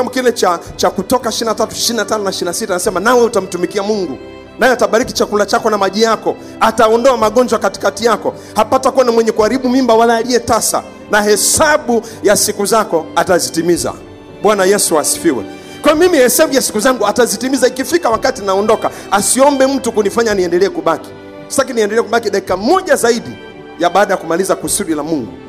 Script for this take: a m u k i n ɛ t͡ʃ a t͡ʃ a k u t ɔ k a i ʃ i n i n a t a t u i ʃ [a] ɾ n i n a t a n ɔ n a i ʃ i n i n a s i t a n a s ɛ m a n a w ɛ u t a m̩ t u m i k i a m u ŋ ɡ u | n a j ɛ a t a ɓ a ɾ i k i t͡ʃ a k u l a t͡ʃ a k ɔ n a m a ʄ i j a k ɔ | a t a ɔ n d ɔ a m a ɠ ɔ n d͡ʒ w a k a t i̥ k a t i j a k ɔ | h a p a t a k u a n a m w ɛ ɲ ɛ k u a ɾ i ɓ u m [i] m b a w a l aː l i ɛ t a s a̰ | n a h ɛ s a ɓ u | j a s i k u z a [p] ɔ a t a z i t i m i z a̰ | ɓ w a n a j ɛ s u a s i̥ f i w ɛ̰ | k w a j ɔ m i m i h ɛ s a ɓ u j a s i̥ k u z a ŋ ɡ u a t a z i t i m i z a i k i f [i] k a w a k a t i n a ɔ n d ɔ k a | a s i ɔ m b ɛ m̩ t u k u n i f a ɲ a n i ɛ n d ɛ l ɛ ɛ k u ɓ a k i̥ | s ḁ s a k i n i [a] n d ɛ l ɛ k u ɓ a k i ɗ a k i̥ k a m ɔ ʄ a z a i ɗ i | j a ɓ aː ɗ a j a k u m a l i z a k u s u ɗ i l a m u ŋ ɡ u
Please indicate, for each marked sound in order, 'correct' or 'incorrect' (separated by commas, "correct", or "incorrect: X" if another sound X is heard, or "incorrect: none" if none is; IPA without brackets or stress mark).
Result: incorrect: i, correct, incorrect: k, correct, incorrect: ɛ